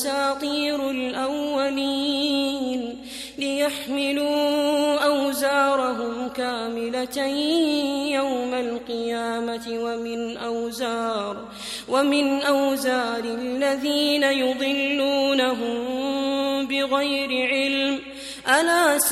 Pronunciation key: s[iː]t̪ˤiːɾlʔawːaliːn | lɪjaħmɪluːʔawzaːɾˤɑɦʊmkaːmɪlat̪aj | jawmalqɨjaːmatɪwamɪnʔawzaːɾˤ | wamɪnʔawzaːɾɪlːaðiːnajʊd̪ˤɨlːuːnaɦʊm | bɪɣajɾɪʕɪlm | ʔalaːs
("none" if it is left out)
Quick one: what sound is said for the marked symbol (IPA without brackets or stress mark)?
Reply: aː